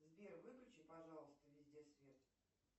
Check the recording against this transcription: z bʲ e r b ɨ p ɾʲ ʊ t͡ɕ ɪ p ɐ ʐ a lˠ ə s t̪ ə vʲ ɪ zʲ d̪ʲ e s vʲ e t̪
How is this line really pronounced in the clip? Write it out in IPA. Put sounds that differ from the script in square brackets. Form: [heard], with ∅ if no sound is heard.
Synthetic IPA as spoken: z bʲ e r [v] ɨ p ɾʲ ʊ t͡ɕ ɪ p ɐ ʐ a lˠ ə s t̪ ə vʲ ɪ zʲ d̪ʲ e s vʲ e t̪